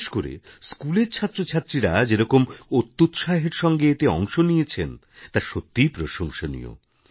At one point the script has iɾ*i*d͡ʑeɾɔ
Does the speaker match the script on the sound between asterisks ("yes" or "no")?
no